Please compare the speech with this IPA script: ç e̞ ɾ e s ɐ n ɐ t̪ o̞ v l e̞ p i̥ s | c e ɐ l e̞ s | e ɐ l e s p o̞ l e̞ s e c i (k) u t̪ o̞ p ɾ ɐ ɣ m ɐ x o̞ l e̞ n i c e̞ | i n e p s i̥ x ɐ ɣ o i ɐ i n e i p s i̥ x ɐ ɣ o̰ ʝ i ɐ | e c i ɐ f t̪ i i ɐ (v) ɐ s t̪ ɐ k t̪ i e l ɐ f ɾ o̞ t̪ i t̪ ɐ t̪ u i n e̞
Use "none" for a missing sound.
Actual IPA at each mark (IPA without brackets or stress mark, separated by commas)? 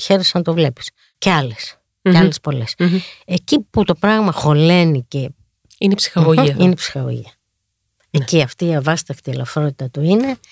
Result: p, v